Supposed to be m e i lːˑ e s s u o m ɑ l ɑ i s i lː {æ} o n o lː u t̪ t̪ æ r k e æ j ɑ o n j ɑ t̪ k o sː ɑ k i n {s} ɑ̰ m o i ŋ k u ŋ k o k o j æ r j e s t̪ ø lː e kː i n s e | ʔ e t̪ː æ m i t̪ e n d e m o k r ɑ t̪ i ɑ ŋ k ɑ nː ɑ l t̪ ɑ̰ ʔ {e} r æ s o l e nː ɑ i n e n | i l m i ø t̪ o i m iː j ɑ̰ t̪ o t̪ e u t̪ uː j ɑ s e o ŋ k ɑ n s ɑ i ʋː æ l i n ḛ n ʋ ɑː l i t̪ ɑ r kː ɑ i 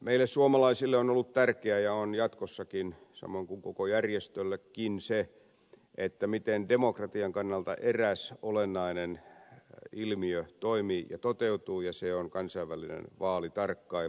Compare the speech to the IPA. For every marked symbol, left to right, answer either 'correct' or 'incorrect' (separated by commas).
incorrect, correct, correct